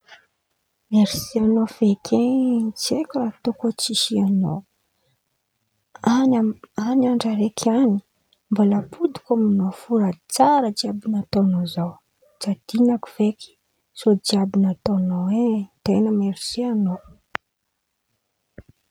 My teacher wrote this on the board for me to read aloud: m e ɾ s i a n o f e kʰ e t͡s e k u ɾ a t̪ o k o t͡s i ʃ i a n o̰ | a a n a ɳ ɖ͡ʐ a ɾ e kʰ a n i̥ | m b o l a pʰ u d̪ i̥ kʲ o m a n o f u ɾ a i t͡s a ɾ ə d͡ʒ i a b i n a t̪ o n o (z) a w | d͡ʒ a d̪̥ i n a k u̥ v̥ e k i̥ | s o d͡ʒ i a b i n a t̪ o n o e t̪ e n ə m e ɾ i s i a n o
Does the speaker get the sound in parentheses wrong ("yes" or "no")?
no